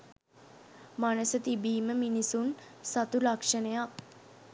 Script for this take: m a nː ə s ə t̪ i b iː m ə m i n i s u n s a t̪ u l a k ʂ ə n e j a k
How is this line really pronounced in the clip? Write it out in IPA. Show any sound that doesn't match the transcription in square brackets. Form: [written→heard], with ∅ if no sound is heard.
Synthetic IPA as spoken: m a [nː→n] ə s ə t̪ i b iː m ə m i n i s u n s a t̪ u l a k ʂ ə n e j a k